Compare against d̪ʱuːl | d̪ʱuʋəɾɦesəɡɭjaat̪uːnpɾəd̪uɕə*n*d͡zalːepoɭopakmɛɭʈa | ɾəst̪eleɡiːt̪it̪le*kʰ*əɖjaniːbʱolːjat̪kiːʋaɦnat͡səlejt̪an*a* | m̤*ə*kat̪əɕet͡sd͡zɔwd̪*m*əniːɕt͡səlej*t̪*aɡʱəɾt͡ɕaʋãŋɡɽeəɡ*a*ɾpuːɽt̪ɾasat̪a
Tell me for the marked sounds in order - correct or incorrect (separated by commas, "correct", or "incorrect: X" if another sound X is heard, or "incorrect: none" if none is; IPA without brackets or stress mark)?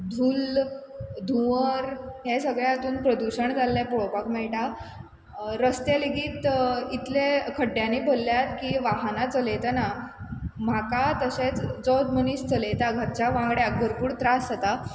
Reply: incorrect: ɳ, correct, correct, incorrect: a, correct, correct, incorrect: ə